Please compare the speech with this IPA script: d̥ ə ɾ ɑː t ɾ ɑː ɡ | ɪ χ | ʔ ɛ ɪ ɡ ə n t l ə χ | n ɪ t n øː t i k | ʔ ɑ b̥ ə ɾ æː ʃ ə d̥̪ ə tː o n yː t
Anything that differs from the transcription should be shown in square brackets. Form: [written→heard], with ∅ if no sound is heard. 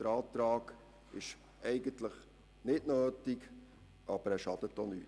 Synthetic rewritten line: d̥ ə ɾ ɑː t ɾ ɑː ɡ | ɪ [χ→ʃ] | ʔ ɛ ɪ ɡ ə n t l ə χ | n ɪ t n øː t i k | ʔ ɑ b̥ ə ɾ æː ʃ [ə→ɑ] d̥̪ ə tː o n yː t